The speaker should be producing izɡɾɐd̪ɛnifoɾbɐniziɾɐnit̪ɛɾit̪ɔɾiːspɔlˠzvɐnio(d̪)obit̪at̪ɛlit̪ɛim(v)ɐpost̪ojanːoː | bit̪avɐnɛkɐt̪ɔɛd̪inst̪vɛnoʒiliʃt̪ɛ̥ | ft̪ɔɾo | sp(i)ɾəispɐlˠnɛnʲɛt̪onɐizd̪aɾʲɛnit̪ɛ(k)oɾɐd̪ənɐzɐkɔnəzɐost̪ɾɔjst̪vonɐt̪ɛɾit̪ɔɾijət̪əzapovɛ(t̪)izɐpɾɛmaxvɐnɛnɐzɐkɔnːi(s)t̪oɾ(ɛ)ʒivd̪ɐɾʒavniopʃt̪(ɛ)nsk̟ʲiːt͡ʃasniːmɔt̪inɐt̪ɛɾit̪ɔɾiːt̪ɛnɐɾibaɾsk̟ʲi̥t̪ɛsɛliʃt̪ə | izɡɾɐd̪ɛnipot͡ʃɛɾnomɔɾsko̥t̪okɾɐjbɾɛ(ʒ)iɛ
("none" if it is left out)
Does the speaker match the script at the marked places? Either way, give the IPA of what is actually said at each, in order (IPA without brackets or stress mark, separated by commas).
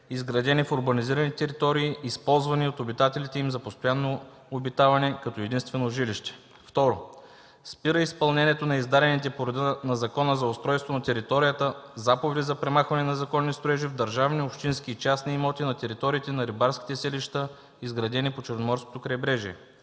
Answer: t̪, z, i, p, d̪, s, ɛ, i, ʒ